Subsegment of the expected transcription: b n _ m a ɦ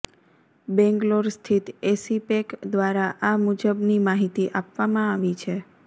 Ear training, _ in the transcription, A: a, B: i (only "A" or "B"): B